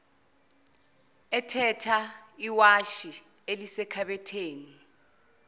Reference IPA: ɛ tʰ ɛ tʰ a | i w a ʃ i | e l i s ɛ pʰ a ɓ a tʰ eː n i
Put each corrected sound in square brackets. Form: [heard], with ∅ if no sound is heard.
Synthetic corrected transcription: ɛ tʰ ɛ tʰ a | i w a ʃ i | e l i s ɛ [kʰ] a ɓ [ɛ] tʰ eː n i